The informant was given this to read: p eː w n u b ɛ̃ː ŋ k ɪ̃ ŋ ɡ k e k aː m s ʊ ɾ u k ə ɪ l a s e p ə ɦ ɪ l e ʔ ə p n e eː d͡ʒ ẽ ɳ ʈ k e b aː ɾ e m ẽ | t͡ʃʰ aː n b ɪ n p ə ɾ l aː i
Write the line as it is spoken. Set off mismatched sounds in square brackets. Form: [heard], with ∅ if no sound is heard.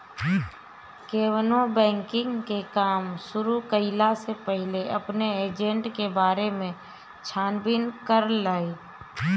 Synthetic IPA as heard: [k] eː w n [o] b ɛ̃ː ŋ k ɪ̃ ŋ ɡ k e k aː m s ʊ ɾ u k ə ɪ l a s e p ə ɦ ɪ l e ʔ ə p n e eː d͡ʒ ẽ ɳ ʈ k e b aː ɾ e m ẽ | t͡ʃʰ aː n b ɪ n [k] ə ɾ l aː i